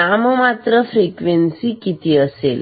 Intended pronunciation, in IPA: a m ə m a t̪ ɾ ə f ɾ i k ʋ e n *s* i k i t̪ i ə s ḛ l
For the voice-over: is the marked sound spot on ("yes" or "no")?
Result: yes